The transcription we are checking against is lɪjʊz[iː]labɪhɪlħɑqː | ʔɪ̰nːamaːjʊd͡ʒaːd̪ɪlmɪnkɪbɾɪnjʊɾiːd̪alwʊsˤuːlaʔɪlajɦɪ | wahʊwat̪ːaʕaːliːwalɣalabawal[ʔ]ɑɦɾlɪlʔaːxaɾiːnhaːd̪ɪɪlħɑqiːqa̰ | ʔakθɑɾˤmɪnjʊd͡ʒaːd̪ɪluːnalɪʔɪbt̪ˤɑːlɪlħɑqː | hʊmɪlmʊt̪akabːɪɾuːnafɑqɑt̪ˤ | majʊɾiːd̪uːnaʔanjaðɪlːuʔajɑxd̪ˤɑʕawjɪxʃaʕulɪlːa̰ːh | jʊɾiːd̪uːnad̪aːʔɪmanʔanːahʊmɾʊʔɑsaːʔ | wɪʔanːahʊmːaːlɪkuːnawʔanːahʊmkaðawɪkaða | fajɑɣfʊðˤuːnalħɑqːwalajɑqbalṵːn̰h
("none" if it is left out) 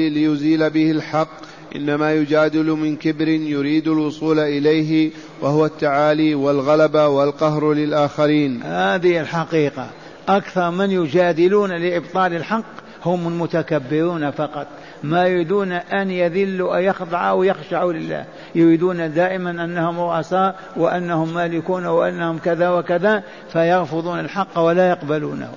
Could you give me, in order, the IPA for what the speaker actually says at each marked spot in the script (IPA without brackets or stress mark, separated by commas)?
iː, q